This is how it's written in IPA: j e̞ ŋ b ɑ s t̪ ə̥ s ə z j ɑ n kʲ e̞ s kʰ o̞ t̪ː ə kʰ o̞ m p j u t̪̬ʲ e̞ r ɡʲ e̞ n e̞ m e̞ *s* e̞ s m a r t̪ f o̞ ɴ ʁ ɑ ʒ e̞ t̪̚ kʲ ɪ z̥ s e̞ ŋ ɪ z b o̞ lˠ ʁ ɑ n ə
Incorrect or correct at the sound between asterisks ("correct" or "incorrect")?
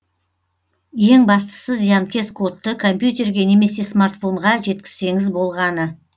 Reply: correct